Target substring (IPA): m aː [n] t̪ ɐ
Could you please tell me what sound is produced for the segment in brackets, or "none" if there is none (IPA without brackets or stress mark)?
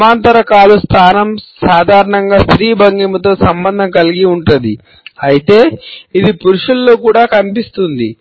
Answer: n